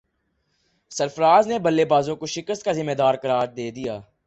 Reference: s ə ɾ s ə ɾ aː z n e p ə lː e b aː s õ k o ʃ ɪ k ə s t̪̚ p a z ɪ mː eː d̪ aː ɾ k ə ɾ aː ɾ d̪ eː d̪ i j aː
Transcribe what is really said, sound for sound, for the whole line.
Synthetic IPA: s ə ɾ f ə ɾ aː z n e b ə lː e b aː z õ k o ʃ ɪ k ə s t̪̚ k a z ɪ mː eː d̪ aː ɾ k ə ɾ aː ɾ d̪ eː d̪ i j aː